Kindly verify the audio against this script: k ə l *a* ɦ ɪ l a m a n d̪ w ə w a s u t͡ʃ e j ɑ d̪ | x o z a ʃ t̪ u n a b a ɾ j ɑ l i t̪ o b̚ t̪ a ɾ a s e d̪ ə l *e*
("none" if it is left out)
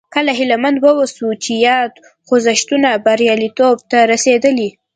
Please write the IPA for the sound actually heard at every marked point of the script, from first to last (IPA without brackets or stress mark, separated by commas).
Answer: a, i